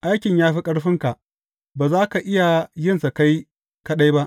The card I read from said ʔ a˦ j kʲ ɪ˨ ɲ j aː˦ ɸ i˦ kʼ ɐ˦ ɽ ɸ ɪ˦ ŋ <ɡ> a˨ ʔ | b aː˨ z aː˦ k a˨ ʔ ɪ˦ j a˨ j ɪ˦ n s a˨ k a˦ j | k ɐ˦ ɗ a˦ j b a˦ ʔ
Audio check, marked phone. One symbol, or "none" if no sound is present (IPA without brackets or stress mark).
k